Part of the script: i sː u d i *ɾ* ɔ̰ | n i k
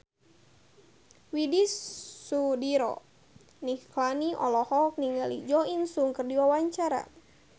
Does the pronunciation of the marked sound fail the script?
no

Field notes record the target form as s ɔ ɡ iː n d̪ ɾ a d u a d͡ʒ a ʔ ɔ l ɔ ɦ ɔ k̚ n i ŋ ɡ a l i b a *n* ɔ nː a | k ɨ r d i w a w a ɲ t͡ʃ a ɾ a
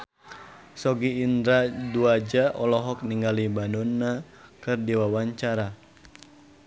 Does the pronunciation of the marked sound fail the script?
no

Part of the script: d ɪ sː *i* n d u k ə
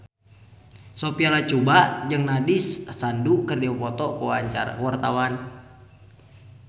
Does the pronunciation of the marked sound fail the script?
yes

